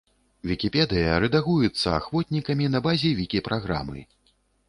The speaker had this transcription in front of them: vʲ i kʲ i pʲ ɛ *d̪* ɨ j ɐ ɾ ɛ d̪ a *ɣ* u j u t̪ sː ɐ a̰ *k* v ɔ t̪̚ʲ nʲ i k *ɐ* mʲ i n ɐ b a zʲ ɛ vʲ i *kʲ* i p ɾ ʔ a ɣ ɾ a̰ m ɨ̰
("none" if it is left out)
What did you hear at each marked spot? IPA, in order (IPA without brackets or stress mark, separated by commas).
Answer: d̪, ɣ, x, ɐ, kʲ